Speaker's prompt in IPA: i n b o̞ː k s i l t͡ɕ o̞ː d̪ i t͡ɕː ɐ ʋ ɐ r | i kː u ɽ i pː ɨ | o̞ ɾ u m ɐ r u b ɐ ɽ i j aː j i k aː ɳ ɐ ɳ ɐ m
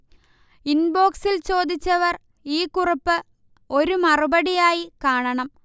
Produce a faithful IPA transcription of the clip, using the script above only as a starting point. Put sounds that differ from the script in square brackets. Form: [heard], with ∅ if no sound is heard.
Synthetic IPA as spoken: i n b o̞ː k s i l t͡ɕ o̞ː d̪ i t͡ɕː ɐ ʋ ɐ r | [iː] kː u [r] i pː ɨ | o̞ ɾ u m ɐ r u b ɐ ɽ i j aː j i k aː ɳ ɐ ɳ ɐ m